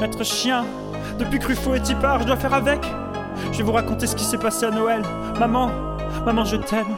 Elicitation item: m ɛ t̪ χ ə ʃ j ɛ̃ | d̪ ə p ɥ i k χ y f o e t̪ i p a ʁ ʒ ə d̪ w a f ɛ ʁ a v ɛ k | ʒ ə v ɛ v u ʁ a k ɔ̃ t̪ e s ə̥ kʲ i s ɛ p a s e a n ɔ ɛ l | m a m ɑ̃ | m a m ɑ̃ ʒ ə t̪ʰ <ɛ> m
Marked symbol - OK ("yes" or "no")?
yes